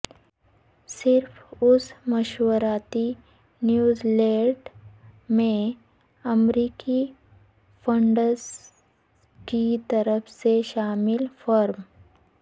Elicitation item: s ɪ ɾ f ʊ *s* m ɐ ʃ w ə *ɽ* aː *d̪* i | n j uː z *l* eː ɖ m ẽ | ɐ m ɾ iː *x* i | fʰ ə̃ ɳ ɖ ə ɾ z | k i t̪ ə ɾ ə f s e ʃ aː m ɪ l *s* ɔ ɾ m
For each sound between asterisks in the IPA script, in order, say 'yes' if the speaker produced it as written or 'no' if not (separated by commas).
yes, no, no, yes, no, no